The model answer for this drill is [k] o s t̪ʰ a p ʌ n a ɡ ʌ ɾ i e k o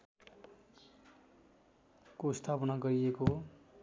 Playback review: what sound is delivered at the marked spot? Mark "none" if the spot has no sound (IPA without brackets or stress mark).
k